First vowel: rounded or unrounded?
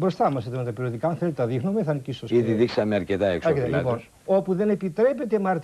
rounded